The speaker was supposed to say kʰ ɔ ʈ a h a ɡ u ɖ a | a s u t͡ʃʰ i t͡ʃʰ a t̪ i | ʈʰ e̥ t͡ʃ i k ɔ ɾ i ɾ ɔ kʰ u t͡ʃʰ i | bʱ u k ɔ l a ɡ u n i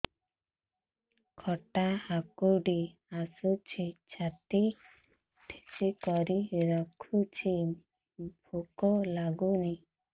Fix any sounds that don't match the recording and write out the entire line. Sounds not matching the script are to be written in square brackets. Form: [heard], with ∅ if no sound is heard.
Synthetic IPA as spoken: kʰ ɔ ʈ a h a [k] u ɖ [i] | a s u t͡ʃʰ i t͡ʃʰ a t̪ i | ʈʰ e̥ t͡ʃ i k ɔ ɾ i ɾ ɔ kʰ u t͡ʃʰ i | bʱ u k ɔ l a ɡ u n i